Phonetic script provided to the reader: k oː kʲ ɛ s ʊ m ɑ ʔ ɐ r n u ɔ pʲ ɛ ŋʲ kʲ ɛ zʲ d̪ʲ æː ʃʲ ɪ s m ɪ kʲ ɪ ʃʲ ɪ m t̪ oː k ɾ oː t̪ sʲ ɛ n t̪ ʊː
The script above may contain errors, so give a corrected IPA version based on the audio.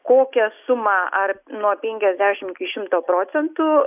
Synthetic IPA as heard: k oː kʲ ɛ s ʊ m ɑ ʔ ɐ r n u ɔ pʲ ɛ ŋʲ kʲ ɛ zʲ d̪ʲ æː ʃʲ ɪ m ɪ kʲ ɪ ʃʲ ɪ m t̪ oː p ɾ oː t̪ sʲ ɛ n t̪ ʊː